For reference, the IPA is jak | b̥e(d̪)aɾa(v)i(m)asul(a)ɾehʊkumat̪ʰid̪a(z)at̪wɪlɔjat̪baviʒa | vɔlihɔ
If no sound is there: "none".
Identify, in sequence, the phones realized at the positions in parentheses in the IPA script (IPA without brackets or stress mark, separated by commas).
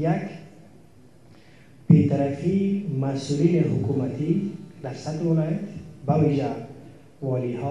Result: t̪, f, m, i, s